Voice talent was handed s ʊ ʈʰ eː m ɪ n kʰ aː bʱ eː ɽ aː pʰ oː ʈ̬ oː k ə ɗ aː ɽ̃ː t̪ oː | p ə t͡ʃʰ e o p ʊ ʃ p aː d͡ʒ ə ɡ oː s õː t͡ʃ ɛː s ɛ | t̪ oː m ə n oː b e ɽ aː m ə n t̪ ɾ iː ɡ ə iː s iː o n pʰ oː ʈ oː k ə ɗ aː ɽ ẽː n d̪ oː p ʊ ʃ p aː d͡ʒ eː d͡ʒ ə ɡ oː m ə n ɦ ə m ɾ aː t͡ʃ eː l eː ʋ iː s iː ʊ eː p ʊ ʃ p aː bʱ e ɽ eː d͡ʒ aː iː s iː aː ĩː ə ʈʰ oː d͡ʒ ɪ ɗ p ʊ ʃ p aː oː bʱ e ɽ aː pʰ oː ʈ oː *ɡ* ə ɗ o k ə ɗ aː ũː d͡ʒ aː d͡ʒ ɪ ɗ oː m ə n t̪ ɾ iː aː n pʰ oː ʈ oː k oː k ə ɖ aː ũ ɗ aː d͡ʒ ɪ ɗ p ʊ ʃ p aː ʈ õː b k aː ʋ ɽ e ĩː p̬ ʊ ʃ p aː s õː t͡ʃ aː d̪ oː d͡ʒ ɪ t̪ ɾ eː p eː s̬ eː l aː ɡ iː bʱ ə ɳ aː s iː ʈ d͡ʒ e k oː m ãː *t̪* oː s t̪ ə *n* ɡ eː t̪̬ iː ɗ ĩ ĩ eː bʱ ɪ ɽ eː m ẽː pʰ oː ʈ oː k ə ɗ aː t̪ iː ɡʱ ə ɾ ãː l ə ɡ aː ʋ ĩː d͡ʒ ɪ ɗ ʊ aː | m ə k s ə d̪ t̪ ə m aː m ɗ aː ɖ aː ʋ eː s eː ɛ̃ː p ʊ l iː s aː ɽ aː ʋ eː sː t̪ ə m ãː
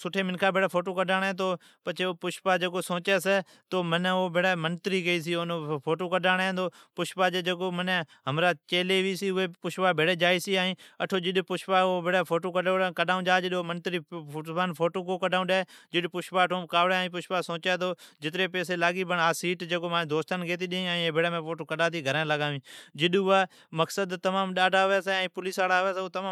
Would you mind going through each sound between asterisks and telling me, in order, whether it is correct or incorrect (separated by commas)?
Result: incorrect, incorrect, correct